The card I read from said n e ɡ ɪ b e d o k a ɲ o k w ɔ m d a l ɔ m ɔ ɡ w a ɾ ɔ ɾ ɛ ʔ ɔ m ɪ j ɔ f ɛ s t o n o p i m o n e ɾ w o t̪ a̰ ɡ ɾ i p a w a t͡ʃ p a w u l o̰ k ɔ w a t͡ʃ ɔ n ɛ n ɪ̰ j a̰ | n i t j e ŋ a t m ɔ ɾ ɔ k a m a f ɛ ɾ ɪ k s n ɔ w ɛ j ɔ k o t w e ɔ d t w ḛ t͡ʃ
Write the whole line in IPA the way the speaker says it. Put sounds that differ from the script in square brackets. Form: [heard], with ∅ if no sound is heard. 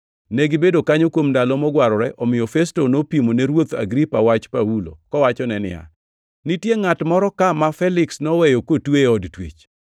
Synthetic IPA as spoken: n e ɡ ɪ b e d o k a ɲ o k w [o] m d a l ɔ m ɔ ɡ w a ɾ ɔ ɾ ɛ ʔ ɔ m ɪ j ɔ f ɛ s t o n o p i m o n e ɾ w o t̪ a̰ ɡ ɾ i p a w a t͡ʃ p a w u l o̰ k ɔ w a t͡ʃ ɔ n ɛ n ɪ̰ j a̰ | n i t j e ŋ a t m ɔ ɾ ɔ k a m a f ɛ [l] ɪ k s n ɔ w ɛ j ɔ k o t w e ɔ d t w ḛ t͡ʃ